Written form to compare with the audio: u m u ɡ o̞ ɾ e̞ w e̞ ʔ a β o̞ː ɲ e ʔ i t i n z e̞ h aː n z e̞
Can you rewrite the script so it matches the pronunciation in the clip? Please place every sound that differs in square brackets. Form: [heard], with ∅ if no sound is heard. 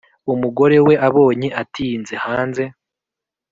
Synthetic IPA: u m u ɡ o̞ ɾ e̞ w e̞ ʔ a β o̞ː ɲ e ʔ [a] t i n z e̞ h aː n z e̞